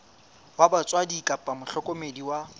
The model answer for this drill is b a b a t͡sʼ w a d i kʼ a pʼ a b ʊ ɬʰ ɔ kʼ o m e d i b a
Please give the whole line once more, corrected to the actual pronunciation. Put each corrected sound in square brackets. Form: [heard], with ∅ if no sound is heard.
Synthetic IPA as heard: [w] a b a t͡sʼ w a d i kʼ a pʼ a [m] ʊ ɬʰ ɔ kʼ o m e d i [w] a